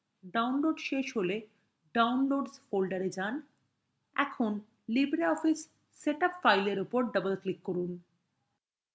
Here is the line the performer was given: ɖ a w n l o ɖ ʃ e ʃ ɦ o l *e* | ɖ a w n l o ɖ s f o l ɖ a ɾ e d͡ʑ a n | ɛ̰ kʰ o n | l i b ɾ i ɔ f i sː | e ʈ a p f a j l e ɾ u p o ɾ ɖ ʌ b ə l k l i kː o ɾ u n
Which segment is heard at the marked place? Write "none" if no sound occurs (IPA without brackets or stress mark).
e